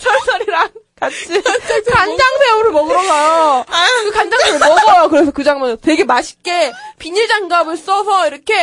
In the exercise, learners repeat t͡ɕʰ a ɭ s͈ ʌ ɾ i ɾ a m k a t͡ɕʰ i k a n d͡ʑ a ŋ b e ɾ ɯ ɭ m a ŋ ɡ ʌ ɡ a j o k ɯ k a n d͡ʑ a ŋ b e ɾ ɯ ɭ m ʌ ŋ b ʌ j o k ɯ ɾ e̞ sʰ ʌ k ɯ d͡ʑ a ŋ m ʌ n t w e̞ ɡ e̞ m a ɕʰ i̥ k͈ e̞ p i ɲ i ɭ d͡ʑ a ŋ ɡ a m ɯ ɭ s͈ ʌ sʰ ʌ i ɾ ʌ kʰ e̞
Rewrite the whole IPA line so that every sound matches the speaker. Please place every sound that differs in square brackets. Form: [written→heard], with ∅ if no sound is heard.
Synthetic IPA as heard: t͡ɕʰ [a→ʌ] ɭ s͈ ʌ ɾ i ɾ a [m→ŋ] k a t͡ɕʰ i k a n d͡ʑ a ŋ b e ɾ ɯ ɭ m [a→ʌ] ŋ ɡ ʌ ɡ a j o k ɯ k a n d͡ʑ a ŋ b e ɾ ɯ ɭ m ʌ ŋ [b→ɡ] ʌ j o k ɯ ɾ e̞ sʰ ʌ k ɯ d͡ʑ a ŋ m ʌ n t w e̞ ɡ e̞ m a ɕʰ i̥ k͈ e̞ p i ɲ i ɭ d͡ʑ a ŋ ɡ a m ɯ ɭ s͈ ʌ sʰ ʌ i ɾ ʌ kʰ e̞